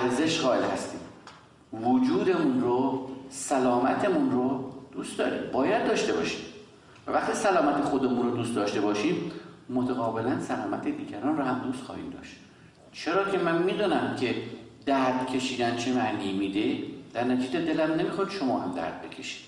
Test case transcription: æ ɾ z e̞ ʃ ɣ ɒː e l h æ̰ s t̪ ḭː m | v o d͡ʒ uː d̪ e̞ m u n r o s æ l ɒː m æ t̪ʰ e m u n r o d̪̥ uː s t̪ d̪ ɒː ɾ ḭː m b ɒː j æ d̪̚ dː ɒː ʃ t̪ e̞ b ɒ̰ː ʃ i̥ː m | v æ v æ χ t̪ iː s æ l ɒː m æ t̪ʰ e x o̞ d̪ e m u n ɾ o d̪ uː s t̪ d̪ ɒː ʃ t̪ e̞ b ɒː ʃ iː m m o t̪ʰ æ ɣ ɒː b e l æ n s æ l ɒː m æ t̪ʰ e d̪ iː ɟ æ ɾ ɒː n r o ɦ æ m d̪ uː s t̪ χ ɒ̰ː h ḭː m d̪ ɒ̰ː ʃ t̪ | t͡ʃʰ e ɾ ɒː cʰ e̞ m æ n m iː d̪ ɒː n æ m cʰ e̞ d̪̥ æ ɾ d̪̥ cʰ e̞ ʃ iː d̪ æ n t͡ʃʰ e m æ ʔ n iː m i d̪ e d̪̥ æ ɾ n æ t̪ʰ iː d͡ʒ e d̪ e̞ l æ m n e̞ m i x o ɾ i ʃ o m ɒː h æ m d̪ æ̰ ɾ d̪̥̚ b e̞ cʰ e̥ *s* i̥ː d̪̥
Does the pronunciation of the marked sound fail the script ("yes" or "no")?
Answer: yes